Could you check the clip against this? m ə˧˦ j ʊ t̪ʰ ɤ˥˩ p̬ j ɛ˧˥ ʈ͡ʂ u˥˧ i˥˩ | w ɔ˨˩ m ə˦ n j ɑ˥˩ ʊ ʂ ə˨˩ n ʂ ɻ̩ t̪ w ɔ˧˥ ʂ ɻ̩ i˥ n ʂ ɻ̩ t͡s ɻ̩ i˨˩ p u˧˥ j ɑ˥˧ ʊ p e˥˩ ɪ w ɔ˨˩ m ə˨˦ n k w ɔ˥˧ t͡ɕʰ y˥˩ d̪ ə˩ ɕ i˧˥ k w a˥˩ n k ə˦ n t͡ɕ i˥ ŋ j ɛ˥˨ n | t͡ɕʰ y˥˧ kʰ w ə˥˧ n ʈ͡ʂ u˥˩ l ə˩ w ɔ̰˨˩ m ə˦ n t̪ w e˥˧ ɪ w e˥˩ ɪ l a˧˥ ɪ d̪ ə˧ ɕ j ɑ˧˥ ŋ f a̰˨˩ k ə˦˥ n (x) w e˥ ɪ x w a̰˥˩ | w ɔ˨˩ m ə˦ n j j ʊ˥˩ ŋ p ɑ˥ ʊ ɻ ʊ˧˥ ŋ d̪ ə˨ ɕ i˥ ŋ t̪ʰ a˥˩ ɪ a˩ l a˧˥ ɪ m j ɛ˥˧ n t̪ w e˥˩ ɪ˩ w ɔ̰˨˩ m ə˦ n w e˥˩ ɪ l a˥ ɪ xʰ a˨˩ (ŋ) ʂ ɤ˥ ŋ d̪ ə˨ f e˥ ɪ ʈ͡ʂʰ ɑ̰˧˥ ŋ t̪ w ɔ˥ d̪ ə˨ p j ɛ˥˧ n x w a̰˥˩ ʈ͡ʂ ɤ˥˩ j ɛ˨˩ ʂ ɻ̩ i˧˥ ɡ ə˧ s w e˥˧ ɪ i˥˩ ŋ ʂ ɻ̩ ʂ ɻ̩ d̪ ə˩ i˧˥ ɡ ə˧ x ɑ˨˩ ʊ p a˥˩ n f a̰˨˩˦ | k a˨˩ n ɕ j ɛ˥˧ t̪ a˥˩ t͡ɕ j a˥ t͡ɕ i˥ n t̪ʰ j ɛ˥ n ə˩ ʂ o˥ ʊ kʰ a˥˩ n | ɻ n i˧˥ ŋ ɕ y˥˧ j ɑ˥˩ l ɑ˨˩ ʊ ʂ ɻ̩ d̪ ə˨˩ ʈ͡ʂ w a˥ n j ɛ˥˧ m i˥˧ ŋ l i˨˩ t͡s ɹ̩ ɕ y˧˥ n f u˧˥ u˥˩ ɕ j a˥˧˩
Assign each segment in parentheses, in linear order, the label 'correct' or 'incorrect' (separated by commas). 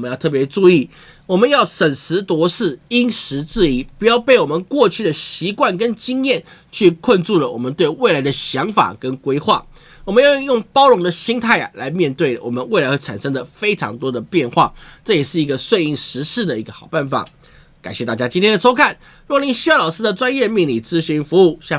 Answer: incorrect, incorrect